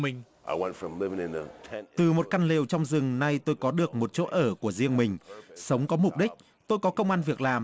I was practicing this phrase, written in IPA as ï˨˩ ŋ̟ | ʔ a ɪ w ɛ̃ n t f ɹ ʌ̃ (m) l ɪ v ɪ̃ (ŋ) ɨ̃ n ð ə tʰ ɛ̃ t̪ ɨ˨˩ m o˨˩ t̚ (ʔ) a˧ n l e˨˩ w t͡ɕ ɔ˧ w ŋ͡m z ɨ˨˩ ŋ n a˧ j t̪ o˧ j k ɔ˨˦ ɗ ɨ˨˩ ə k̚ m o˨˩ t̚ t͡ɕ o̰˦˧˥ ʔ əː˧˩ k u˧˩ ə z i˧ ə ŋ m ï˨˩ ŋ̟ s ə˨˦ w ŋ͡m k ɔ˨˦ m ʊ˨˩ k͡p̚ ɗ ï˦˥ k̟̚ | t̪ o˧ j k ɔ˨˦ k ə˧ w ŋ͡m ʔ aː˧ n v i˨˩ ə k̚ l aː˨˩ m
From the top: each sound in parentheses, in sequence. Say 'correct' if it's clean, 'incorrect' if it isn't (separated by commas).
correct, correct, incorrect